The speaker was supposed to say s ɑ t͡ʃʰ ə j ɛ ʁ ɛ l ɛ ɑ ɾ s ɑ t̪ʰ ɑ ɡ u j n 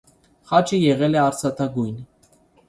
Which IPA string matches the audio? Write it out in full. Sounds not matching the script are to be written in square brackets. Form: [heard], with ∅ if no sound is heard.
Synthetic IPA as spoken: [χ] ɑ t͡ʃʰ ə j ɛ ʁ ɛ l ɛ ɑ ɾ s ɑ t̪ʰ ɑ ɡ u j n